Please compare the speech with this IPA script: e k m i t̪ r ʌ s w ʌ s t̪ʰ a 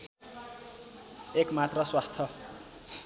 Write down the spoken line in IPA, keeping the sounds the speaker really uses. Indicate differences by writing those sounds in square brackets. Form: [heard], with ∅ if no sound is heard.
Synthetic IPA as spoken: e k m [a] t̪ r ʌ s w [a] s t̪ʰ [ʌ]